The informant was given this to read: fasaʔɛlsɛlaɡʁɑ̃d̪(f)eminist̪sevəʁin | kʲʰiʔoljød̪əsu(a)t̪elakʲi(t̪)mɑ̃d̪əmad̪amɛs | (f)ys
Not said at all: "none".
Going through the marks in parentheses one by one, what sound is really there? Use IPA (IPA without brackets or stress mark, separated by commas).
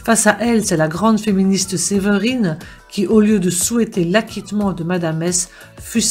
f, ɛ, t̪, f